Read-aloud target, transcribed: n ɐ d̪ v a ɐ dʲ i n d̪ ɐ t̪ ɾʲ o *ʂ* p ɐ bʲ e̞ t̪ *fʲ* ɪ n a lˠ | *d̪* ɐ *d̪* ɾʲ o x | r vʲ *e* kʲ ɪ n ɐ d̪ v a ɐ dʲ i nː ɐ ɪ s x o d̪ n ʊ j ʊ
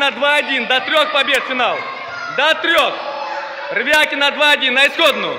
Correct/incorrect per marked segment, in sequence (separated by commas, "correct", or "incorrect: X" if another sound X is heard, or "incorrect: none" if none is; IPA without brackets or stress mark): incorrect: x, correct, correct, incorrect: t̪, incorrect: a